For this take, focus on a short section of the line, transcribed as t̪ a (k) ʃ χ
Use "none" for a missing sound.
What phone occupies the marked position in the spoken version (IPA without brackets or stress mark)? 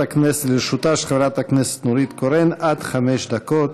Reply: none